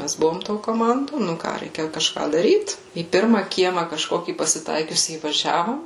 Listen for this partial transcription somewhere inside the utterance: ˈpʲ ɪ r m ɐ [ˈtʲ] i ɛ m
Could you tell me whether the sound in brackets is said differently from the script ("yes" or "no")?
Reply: yes